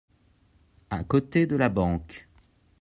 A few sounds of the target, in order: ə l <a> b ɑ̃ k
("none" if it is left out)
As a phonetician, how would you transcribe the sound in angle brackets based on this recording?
a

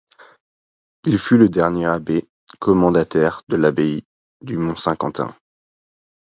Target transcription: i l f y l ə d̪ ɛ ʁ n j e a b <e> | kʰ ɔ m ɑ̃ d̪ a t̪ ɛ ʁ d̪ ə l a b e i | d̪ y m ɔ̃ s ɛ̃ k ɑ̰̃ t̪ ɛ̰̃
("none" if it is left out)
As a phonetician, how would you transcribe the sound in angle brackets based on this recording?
e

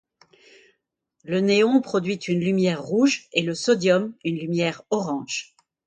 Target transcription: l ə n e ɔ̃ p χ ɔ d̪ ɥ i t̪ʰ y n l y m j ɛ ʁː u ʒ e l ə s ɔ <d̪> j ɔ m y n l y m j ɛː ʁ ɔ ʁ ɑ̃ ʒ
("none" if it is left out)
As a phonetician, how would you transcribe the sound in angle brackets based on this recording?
d̪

